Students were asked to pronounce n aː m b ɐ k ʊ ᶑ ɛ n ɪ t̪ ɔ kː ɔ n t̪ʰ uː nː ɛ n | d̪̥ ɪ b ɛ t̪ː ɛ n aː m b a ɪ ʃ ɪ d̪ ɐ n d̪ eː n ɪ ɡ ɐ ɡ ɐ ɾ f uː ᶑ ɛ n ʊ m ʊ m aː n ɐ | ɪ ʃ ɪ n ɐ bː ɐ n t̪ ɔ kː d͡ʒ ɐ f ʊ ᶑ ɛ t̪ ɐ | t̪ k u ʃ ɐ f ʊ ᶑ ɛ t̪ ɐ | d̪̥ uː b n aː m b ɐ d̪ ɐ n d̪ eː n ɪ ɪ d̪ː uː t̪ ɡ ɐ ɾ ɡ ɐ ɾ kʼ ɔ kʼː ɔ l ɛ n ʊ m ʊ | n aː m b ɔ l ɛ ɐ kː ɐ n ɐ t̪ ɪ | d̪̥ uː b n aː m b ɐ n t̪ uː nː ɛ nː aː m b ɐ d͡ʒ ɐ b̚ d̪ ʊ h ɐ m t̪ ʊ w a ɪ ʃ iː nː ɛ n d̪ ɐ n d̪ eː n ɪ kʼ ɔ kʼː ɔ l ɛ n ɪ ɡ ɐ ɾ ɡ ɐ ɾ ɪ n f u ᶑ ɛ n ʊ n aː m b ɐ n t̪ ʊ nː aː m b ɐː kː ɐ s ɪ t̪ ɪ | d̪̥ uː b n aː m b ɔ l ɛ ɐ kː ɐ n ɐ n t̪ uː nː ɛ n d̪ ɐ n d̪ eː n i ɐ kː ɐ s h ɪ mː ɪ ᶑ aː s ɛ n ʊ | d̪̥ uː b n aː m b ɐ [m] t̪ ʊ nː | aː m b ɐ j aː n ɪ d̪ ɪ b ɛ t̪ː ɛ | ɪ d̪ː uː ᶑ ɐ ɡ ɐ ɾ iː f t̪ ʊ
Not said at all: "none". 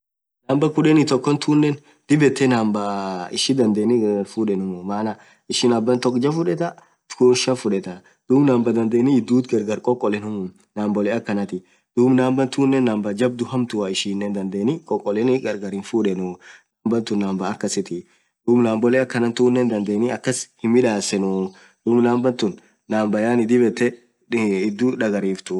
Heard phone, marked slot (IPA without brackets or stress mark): n